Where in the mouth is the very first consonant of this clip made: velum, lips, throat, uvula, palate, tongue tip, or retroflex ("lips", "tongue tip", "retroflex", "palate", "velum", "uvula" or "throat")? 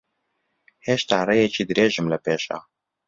throat